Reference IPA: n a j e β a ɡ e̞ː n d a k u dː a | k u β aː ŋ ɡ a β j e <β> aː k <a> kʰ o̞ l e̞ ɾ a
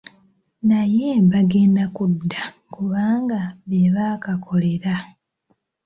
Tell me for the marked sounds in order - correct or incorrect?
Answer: correct, correct

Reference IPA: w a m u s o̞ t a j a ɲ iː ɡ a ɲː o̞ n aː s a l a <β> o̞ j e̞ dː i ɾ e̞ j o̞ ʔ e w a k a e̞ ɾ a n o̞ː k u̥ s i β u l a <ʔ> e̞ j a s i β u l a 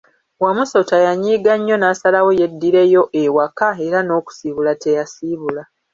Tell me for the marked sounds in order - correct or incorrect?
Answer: incorrect, incorrect

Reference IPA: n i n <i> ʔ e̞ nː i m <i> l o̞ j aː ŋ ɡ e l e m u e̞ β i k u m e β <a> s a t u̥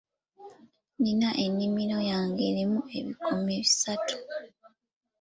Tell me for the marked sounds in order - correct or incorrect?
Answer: incorrect, correct, incorrect

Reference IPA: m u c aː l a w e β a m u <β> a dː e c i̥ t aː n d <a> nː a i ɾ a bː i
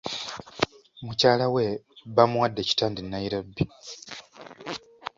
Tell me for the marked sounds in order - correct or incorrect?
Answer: incorrect, incorrect

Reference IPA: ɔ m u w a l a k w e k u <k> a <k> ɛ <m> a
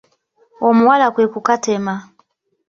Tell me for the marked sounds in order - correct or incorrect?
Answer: correct, incorrect, correct

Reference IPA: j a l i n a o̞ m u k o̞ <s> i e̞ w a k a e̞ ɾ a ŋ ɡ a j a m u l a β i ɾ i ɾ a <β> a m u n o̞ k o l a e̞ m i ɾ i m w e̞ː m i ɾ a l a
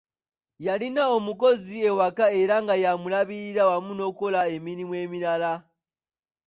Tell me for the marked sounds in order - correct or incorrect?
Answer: incorrect, incorrect

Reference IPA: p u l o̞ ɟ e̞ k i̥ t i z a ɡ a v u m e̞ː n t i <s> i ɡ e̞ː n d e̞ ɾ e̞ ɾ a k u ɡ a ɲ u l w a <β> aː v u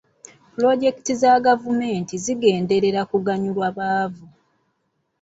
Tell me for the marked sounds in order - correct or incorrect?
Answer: incorrect, correct

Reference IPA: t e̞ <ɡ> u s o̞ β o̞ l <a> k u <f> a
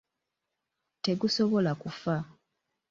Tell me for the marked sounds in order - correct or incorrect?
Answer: correct, correct, correct

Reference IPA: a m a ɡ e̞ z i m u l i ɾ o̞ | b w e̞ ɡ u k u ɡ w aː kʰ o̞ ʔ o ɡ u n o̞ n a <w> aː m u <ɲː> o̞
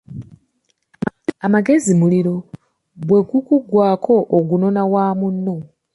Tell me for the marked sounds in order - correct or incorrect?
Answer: correct, incorrect

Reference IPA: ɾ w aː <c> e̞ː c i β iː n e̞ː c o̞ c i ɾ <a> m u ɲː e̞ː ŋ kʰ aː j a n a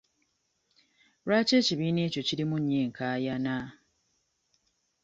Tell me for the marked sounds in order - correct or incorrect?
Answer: correct, incorrect

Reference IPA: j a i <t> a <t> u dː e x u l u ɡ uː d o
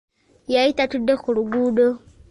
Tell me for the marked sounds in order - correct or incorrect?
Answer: correct, correct

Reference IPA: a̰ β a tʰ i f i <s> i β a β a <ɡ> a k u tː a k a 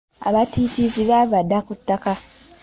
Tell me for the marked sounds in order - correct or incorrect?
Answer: incorrect, incorrect

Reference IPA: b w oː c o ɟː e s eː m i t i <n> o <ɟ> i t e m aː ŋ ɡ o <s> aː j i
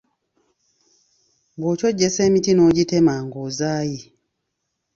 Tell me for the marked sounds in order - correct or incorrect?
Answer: correct, correct, incorrect

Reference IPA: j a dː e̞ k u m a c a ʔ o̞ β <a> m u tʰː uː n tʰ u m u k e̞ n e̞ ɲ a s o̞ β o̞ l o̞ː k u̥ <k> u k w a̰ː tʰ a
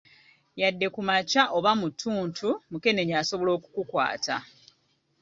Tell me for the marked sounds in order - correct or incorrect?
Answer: correct, correct

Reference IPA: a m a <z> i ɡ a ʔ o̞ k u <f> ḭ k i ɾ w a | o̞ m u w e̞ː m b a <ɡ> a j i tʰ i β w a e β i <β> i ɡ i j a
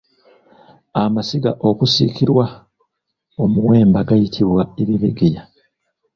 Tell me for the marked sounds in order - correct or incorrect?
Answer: incorrect, incorrect, correct, correct

